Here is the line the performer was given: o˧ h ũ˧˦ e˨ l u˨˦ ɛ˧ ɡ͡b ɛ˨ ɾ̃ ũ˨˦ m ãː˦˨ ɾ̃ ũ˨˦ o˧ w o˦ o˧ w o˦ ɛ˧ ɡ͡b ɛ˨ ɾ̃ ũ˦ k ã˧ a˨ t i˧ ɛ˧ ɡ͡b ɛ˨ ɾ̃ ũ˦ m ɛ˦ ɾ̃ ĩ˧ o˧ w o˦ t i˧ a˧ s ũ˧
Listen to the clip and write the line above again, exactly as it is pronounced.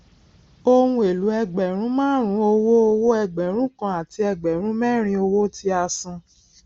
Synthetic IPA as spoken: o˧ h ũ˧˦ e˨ l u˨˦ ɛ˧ ɡ͡b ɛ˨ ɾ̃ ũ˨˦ m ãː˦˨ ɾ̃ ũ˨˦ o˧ w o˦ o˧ w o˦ ɛ˧ ɡ͡b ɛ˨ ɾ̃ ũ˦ k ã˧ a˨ t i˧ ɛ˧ ɡ͡b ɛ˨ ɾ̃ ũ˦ m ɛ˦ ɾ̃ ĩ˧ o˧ w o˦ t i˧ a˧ s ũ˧

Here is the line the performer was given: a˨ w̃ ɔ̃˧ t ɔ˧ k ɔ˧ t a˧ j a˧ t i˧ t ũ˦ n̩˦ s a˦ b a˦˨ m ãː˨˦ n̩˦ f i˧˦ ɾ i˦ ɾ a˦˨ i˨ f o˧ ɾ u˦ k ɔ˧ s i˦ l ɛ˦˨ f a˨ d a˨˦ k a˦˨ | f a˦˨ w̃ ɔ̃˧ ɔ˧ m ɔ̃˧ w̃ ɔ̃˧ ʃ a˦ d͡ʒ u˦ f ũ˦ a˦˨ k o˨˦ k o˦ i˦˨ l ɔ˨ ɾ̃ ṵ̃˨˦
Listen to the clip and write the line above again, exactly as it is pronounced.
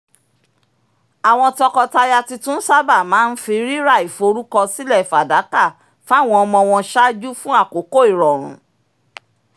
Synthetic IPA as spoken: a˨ w̃ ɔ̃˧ t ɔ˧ k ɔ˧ t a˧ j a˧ t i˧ t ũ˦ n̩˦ s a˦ b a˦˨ m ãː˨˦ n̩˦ f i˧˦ ɾ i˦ ɾ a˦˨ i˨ f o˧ ɾ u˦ k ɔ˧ s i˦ l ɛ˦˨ f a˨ d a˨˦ k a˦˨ | f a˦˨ w̃ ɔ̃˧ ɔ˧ m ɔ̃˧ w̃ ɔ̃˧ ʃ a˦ d͡ʒ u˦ f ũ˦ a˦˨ k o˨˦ k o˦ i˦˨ ɾ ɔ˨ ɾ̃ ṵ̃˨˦

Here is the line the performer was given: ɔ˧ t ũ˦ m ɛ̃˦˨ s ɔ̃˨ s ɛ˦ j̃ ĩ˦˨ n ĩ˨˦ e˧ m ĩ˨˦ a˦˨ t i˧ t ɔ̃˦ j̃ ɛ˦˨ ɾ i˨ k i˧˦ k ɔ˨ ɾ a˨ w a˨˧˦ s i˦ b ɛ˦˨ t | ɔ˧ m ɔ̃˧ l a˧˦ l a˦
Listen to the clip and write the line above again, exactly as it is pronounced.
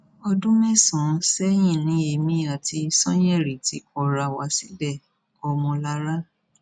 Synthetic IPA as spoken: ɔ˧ d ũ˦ m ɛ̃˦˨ s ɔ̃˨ s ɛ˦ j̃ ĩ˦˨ n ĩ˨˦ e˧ m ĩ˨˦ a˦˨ t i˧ s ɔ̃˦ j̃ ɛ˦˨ ɾ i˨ t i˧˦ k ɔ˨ ɾ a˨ w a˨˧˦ s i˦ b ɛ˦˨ | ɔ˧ m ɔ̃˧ l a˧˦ ɾ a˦

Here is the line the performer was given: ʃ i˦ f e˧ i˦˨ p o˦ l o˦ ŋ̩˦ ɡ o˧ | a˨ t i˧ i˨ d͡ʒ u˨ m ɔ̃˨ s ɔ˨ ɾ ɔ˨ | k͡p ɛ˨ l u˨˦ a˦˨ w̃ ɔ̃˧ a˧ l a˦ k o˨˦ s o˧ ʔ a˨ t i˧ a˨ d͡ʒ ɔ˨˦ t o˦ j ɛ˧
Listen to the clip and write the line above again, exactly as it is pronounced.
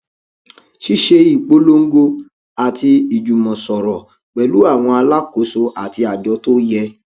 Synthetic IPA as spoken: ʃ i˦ ʃ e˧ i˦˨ k͡p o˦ l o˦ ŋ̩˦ ɡ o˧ | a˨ t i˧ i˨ d͡ʒ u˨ m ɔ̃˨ s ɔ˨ ɾ ɔ˨ | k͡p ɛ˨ l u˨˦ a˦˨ w̃ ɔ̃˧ a˧ l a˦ k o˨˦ s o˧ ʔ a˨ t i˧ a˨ d͡ʒ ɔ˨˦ t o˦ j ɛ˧

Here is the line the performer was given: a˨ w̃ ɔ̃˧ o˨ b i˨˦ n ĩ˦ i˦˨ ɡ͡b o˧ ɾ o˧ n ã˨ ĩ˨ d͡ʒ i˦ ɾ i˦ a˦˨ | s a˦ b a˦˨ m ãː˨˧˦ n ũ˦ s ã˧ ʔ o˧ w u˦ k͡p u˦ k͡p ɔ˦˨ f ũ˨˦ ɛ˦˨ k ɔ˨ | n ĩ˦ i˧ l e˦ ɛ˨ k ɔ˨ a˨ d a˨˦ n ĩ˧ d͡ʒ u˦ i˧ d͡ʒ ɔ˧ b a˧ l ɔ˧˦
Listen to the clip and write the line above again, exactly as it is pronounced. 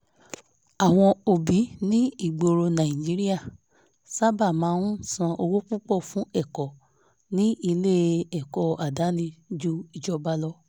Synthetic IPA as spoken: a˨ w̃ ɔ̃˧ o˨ b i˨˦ n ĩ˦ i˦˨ ɡ͡b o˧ ɾ o˧ n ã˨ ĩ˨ d͡ʒ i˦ ɾ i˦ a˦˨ | s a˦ b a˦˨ m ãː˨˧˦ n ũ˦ s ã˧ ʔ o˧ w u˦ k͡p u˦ k͡p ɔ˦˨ f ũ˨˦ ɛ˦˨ k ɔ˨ | n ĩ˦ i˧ l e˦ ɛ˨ k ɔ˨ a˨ d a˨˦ n ĩ˧ d͡ʒ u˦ i˧ d͡ʒ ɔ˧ b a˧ l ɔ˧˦

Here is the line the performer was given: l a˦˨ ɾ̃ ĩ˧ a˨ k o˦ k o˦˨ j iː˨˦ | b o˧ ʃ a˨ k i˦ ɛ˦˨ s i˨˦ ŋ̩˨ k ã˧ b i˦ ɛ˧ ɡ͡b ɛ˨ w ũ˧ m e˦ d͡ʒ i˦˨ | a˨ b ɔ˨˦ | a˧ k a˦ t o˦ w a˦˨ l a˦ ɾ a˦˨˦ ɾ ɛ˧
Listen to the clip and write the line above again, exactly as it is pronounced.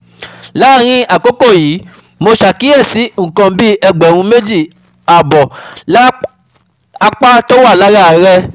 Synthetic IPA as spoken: l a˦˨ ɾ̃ ĩ˧ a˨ k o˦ k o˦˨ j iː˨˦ | m o˧ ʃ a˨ k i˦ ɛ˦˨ s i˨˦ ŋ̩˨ k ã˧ b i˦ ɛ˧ ɡ͡b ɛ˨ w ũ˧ m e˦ d͡ʒ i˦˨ | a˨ b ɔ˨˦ | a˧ k͡p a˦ t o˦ w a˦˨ l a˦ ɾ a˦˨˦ ɾ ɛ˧

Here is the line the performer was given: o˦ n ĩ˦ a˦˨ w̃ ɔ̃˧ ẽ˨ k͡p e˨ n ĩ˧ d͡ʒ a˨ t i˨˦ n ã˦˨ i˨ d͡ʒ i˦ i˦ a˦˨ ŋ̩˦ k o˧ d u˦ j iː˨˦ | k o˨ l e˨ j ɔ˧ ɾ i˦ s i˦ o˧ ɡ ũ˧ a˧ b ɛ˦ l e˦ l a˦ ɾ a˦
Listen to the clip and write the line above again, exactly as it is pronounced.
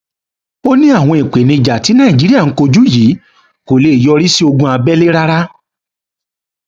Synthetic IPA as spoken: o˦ n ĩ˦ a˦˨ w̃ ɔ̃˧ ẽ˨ k͡p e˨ n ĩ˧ d͡ʒ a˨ t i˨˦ n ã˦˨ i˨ d͡ʒ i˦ i˦ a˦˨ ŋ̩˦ k o˧ d͡ʒ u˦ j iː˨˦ | k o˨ l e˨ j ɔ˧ ɾ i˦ s i˦ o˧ ɡ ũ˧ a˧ b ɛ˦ l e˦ ɾ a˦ ɾ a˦

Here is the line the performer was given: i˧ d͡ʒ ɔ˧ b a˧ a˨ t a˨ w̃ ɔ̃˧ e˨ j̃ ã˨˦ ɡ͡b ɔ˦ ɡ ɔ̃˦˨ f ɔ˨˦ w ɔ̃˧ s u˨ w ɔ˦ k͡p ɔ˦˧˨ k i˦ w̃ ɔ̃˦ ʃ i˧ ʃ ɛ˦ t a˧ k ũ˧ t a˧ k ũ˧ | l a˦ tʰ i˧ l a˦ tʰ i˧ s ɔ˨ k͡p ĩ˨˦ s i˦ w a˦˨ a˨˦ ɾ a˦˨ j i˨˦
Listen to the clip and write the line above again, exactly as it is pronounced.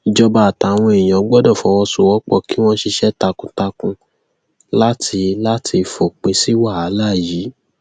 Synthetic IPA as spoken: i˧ d͡ʒ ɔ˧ b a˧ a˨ t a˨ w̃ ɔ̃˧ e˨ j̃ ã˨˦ ɡ͡b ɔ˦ d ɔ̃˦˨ f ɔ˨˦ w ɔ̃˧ s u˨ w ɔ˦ k͡p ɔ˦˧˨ k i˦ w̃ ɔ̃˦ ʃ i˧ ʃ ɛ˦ t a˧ k ũ˧ t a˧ k ũ˧ | l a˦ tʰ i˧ l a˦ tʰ i˧ f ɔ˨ k͡p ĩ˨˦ s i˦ w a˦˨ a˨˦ l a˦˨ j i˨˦

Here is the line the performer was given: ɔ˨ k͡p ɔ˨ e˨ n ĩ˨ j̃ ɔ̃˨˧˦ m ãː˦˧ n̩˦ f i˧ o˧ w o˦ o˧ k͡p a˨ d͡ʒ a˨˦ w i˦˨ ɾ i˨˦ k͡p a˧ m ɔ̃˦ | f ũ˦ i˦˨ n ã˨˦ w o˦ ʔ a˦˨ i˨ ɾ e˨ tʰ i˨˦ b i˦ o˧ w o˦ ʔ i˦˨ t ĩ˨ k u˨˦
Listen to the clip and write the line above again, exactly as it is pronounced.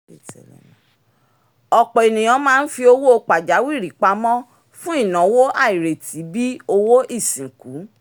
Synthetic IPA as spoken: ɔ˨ k͡p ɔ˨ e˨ n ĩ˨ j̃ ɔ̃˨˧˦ m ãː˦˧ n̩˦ f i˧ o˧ w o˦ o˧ k͡p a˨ d͡ʒ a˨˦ w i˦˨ ɾ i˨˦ k͡p a˧ m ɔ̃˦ | f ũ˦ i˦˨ n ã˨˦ w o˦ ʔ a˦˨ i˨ ɾ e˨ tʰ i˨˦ b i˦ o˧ w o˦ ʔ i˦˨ s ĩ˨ k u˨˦

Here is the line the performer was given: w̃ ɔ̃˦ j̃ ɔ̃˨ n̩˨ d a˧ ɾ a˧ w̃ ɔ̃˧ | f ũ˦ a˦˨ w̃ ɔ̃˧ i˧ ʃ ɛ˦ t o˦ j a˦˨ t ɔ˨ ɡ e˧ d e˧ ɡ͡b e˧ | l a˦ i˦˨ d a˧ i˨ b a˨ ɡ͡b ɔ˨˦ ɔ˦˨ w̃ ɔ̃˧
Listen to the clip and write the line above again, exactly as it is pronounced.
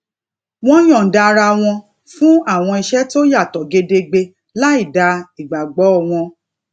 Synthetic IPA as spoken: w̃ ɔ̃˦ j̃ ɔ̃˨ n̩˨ d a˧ ɾ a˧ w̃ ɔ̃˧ | f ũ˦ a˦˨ w̃ ɔ̃˧ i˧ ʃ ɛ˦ t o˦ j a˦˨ t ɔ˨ ɡ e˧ d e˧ ɡ͡b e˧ | l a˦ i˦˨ d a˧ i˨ ɡ͡b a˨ ɡ͡b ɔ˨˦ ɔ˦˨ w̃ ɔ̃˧

